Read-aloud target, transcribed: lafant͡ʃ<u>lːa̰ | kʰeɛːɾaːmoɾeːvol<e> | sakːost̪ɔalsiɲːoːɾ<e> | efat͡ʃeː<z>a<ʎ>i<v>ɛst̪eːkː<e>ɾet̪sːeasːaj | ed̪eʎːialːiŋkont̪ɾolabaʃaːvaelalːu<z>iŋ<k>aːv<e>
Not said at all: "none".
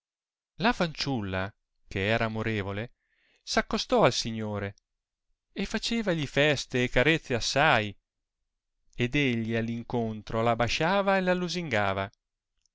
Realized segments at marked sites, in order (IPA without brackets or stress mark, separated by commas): u, e, e, v, ʎ, f, a, z, ɡ, a